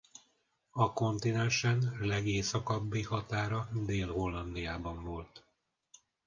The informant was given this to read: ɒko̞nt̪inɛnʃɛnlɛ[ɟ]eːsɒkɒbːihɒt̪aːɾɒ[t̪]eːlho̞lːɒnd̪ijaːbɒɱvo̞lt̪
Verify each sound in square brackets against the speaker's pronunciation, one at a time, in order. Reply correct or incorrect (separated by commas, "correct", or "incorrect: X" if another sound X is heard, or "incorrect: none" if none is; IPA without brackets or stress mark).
incorrect: ɡ, incorrect: d̪